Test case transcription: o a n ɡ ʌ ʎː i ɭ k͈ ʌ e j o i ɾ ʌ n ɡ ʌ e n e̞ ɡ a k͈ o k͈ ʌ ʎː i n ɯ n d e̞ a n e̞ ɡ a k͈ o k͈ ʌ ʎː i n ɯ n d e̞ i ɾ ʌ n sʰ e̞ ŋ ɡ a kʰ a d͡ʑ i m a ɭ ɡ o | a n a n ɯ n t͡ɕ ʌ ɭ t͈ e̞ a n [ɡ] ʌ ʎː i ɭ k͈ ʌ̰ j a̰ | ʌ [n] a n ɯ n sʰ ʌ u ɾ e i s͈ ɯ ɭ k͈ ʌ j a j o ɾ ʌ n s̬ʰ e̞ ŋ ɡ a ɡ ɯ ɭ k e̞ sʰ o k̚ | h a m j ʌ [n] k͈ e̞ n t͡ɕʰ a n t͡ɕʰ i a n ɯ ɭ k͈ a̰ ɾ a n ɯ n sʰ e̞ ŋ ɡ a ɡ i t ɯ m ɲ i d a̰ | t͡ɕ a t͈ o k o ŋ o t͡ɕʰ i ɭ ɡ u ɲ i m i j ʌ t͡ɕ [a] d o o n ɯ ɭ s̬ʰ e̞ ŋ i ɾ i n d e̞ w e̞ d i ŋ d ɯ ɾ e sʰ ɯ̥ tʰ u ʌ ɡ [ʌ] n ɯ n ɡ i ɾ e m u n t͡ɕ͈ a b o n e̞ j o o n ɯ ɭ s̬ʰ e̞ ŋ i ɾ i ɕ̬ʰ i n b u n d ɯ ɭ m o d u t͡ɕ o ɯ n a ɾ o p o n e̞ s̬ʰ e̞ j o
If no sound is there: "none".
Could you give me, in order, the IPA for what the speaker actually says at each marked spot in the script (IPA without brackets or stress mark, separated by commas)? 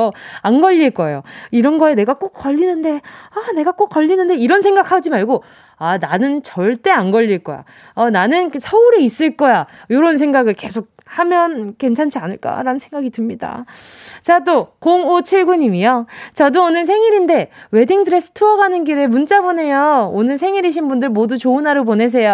ɡ, n, n, ʌ, a